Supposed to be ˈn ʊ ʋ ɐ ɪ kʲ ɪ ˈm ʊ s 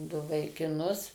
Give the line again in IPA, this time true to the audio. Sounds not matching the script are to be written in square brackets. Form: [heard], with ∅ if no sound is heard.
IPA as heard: [ˈd] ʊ ʋ ɐ ɪ kʲ ɪ [ˈn] ʊ s